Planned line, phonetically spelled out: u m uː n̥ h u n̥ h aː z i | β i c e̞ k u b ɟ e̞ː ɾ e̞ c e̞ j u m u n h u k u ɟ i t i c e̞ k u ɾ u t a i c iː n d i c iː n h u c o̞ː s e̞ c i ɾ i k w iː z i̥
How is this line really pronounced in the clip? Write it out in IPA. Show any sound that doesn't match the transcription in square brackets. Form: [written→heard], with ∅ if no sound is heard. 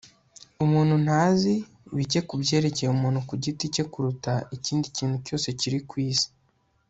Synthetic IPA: u m uː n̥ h u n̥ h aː z i | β i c e̞ k u b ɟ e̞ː ɾ e̞ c e̞ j u m [u→uː] n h u k u ɟ i t i c e̞ k u ɾ u t a i c iː n d i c iː n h u c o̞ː s e̞ c i ɾ i k w iː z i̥